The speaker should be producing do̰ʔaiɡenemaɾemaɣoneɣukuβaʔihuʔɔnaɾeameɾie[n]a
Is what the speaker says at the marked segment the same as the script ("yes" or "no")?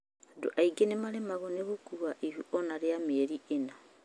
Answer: yes